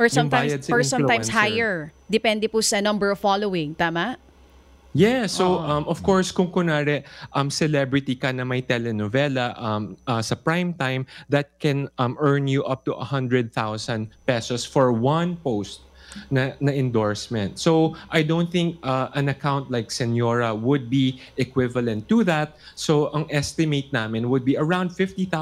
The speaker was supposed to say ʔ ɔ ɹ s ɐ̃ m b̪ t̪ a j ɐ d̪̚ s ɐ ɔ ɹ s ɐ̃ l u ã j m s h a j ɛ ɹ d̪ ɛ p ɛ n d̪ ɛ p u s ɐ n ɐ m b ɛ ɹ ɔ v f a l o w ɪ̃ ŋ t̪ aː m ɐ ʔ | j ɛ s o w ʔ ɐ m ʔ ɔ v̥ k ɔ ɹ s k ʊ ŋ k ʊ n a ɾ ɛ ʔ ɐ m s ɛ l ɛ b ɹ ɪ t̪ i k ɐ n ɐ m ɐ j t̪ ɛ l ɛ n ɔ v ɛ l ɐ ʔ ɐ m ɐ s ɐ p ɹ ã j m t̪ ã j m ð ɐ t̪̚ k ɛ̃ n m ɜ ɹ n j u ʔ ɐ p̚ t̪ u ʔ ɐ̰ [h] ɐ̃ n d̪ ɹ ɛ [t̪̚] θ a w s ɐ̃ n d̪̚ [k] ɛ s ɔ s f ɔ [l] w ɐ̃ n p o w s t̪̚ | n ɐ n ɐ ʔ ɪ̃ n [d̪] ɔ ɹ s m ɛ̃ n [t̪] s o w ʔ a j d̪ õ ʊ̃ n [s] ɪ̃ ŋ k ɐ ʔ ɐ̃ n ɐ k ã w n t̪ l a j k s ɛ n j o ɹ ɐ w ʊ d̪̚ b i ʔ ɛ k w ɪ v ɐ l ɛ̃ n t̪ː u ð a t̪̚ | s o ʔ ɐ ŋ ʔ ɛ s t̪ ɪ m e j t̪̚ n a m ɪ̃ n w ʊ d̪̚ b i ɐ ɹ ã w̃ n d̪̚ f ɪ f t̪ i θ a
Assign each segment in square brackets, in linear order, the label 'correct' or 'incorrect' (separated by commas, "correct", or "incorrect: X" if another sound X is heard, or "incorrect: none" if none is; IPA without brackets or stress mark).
correct, incorrect: d̪̚, incorrect: p, incorrect: ɹ, correct, correct, incorrect: θ